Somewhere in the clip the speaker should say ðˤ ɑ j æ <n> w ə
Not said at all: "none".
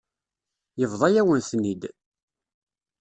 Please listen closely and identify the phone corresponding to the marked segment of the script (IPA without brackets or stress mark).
none